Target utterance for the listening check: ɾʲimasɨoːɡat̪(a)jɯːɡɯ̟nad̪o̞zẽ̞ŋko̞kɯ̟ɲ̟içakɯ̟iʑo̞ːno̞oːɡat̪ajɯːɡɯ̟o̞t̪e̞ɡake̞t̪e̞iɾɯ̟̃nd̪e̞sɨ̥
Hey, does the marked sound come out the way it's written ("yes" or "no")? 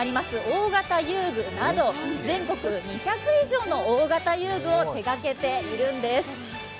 yes